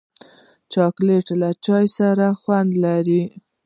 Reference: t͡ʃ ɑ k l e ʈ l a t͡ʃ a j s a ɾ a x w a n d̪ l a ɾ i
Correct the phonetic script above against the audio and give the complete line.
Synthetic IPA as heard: t͡ʃ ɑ k l e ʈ l a t͡ʃ ɑ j s a ɾ a x w a n d̪ l a ɾ i